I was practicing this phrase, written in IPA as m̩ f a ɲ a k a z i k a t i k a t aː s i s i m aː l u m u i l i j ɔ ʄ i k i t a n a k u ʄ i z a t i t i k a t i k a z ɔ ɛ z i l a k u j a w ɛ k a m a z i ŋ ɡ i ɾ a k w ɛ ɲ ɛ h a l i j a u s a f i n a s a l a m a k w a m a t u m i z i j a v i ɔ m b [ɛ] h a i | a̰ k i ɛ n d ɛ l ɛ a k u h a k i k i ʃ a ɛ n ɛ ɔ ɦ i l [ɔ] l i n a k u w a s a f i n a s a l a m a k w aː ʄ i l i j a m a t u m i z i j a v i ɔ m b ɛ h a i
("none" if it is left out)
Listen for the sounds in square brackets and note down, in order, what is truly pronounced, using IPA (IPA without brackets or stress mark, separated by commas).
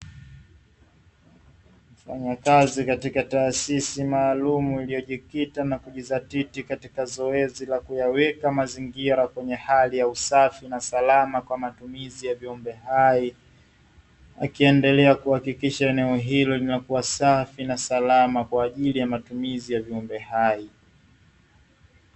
ɛ, ɔ